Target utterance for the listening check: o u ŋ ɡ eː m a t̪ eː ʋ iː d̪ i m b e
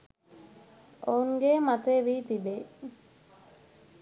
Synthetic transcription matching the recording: o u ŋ ɡ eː m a t̪ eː ʋ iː t̪ i b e